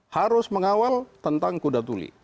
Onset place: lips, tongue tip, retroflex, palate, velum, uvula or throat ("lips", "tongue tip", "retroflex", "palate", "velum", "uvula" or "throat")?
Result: throat